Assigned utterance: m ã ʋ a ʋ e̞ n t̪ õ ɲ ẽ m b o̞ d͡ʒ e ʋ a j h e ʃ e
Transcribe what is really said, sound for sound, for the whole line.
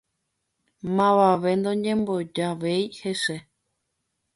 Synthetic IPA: m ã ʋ a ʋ e̞ n d̪ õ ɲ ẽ m b o̞ d͡ʒ a ʋ e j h e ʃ e